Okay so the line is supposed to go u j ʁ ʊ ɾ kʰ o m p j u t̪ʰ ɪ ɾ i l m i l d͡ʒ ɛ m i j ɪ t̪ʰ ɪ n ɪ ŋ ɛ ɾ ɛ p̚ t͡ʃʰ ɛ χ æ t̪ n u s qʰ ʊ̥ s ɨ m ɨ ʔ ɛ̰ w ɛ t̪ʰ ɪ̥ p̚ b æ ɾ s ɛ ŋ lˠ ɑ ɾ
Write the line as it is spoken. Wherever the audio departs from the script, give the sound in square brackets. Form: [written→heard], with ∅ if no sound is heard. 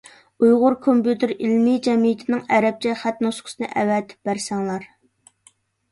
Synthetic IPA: u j ʁ ʊ ɾ kʰ o m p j u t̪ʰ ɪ ɾ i l m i [l→∅] d͡ʒ ɛ m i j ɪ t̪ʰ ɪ n ɪ ŋ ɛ ɾ ɛ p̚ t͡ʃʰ ɛ χ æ t̪ n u s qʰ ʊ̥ s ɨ [m→n] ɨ ʔ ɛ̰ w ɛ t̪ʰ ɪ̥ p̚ b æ ɾ s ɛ ŋ lˠ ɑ ɾ